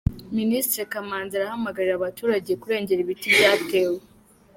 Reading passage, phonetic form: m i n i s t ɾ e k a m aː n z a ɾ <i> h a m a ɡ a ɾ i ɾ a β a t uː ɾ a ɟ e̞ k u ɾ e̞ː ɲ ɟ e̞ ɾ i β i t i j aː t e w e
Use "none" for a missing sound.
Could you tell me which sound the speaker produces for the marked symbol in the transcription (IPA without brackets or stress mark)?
a